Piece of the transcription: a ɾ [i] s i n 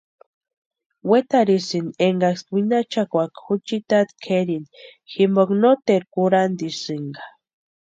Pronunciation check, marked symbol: correct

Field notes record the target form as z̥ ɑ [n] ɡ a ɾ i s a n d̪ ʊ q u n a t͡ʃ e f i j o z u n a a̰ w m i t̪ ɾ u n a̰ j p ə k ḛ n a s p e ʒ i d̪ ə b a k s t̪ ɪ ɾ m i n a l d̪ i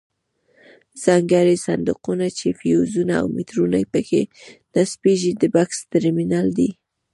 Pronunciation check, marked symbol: incorrect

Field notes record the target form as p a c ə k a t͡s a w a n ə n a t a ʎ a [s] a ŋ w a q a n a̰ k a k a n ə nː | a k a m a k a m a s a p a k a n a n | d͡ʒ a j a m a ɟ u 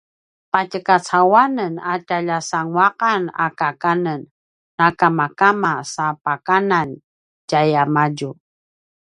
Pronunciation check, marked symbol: correct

